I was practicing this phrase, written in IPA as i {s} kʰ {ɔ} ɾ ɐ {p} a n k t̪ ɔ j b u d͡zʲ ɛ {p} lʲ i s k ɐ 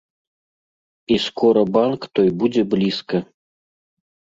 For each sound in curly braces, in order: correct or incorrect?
correct, correct, incorrect: b, incorrect: b

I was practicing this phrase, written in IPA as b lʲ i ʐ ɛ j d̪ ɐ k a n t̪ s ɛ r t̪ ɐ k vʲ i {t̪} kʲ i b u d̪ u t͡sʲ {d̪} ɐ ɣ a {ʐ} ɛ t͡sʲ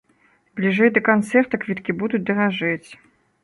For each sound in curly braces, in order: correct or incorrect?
correct, correct, correct

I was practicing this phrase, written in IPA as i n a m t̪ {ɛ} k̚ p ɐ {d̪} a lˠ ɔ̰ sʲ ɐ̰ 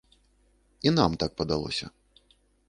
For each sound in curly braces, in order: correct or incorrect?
incorrect: a, correct

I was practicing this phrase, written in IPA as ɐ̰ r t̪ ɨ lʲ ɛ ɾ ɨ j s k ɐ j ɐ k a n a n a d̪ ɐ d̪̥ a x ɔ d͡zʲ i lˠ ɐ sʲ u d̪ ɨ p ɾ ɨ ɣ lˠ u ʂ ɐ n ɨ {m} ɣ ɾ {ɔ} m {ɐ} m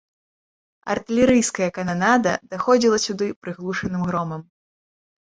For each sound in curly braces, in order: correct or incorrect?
correct, correct, correct

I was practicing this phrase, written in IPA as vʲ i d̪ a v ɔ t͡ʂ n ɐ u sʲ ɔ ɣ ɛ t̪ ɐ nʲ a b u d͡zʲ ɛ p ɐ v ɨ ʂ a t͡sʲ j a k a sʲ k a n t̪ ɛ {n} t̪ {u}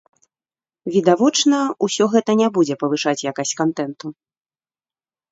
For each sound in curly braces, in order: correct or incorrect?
correct, correct

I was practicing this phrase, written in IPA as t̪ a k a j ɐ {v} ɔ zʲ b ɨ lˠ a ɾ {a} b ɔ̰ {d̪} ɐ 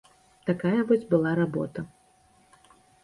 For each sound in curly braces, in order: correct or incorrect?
correct, correct, incorrect: t̪

